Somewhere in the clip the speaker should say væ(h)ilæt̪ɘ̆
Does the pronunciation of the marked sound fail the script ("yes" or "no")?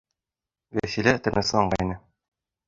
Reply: yes